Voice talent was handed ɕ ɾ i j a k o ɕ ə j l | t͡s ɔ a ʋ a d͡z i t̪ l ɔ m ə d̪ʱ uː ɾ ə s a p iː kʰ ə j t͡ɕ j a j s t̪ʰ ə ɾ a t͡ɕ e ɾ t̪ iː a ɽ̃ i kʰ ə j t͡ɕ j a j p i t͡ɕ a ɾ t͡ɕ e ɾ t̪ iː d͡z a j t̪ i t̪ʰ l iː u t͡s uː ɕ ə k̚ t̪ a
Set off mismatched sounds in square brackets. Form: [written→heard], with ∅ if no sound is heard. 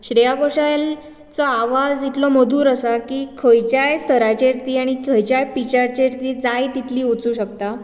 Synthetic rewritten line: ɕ ɾ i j a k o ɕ [ə→a] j l | t͡s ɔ a ʋ a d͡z i t̪ l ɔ m ə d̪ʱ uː ɾ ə s a [p→k] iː kʰ ə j t͡ɕ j a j s t̪ʰ ə ɾ a t͡ɕ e ɾ t̪ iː a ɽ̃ i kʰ ə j t͡ɕ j a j p i t͡ɕ a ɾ t͡ɕ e ɾ t̪ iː d͡z a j t̪ i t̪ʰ l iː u t͡s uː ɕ ə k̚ t̪ a